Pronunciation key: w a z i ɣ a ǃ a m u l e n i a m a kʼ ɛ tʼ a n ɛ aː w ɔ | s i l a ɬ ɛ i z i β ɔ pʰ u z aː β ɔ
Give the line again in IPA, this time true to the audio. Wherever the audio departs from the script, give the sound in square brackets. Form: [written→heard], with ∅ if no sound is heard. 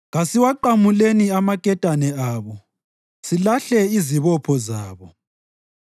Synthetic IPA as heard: [w→ɣ] a [z→s] i [ɣ→w] a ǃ a m u l e n i a m a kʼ ɛ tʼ a n ɛ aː [w→β] ɔ | s i l a ɬ ɛ i z i β ɔ pʰ [u→ɔ] z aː β ɔ